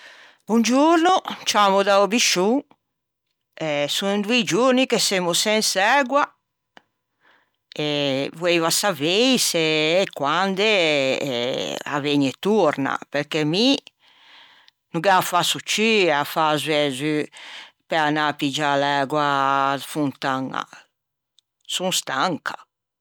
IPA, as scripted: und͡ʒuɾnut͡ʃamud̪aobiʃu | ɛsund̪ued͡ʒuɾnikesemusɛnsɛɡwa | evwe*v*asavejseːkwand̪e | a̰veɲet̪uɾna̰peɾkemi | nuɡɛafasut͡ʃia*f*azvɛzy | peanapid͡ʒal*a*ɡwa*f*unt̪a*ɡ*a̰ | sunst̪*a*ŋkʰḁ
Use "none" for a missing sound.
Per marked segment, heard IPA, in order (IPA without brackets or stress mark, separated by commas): v, f, ɛ, f, ŋ, a